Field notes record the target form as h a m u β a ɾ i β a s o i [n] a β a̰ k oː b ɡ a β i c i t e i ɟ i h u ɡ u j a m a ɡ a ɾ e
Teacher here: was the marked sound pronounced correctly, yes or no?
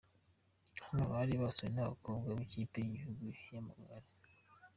yes